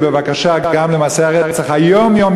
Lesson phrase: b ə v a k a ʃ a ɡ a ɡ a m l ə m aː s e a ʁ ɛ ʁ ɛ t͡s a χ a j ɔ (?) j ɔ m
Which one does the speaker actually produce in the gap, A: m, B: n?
A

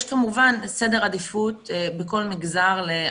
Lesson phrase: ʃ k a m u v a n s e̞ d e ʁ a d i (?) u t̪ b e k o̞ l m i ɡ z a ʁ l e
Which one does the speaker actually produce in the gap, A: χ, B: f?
B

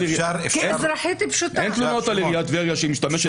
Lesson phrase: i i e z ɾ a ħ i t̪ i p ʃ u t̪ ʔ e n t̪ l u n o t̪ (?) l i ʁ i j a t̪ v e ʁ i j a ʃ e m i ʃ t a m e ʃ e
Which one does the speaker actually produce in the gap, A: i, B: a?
B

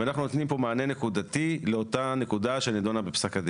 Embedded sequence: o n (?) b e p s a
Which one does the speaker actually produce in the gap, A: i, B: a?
B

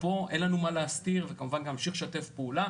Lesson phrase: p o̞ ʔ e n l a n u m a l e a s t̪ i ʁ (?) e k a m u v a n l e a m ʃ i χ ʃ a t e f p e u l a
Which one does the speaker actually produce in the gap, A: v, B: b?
A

